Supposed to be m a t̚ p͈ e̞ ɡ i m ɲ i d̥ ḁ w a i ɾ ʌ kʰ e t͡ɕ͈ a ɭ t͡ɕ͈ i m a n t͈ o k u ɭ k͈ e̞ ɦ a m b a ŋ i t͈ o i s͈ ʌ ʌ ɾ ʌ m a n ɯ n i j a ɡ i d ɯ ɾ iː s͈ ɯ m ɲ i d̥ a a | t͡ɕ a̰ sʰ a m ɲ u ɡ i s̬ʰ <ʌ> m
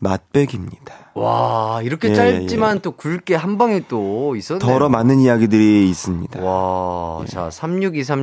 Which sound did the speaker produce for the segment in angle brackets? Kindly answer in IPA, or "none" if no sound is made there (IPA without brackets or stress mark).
a